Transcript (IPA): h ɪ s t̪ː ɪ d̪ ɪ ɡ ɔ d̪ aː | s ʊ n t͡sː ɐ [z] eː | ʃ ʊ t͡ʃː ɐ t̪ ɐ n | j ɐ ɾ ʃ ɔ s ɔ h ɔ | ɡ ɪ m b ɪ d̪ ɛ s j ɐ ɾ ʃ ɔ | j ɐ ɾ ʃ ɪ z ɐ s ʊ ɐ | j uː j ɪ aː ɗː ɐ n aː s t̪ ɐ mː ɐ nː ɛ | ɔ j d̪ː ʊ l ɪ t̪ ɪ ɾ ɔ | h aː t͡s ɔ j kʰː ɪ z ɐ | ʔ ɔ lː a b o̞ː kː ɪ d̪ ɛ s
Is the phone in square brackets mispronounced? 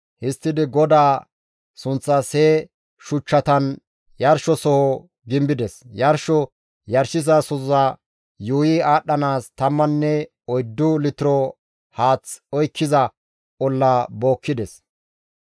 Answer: yes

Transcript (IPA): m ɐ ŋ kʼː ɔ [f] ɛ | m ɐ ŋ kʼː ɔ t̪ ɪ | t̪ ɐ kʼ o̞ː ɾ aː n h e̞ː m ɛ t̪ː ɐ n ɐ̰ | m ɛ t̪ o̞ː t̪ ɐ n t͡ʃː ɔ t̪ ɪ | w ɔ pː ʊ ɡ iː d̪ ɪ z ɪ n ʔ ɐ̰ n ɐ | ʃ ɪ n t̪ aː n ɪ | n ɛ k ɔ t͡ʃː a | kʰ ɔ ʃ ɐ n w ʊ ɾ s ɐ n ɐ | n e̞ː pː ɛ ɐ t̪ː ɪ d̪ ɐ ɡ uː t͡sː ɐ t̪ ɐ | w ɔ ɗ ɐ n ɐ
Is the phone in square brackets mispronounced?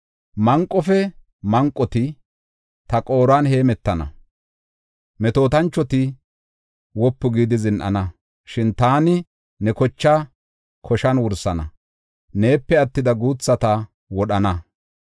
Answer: no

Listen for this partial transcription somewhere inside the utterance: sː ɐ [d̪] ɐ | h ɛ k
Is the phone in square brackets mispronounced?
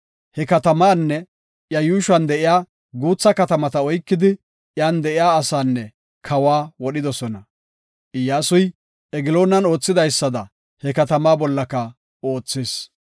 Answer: no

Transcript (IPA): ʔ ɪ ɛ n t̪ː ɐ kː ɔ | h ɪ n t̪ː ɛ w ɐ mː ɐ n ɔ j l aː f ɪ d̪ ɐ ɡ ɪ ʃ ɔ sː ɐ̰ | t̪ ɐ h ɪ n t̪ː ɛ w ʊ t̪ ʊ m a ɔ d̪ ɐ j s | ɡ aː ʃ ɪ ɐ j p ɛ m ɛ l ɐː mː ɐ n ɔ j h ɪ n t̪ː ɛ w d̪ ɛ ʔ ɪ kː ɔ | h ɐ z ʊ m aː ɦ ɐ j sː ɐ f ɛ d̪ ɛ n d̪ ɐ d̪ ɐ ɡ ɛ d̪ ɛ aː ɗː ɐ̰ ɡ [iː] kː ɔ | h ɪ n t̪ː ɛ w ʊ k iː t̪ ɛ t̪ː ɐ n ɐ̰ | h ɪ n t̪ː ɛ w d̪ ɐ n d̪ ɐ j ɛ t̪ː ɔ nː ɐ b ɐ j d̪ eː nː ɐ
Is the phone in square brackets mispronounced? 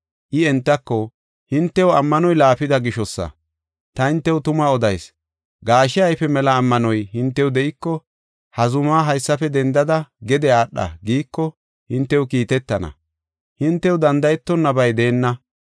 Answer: no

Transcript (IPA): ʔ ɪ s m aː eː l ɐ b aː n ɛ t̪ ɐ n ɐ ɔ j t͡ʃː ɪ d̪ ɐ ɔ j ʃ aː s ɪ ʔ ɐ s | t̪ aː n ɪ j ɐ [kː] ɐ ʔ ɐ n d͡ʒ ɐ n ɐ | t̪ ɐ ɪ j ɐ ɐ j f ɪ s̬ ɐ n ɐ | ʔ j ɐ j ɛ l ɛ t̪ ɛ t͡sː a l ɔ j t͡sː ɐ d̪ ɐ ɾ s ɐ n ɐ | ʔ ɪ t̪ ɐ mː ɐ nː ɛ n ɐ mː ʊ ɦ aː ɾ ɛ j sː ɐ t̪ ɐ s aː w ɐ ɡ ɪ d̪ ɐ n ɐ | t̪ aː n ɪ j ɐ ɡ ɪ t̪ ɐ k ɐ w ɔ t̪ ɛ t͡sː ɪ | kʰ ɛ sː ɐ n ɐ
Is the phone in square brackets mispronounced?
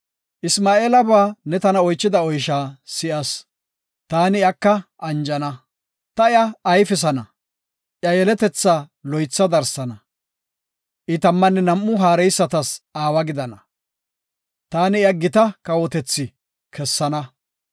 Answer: no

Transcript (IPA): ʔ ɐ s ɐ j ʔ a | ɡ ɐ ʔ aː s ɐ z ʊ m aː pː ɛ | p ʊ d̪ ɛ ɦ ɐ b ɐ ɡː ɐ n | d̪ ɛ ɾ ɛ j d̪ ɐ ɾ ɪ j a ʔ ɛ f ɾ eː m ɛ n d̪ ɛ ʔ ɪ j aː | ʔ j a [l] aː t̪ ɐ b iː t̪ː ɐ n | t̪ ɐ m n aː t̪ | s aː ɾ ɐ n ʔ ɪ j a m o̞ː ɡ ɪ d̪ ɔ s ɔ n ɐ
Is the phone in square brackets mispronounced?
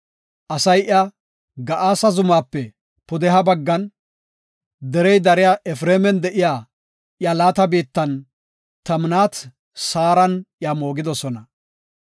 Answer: no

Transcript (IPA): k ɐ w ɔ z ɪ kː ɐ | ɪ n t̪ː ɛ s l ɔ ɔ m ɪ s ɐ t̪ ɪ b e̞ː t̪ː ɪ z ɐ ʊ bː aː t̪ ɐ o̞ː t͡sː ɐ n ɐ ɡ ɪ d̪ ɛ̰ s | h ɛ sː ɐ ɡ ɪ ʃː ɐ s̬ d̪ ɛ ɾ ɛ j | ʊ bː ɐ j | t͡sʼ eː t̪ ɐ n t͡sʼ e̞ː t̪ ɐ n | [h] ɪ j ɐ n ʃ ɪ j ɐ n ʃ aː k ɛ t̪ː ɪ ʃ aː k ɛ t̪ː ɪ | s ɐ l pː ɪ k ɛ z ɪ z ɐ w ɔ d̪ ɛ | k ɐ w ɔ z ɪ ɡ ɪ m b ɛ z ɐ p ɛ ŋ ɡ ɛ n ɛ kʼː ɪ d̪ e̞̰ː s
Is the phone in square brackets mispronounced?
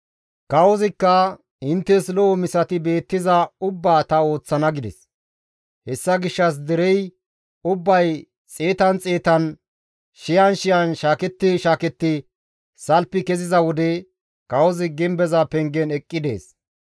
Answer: yes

